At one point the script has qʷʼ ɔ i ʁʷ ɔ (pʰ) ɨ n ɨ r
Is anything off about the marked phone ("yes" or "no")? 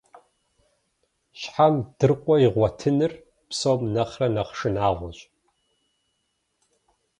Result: yes